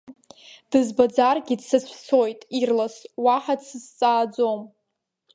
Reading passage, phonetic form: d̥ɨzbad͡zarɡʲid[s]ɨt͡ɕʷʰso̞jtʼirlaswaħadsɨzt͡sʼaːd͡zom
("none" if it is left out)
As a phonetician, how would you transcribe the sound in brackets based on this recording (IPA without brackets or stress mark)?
s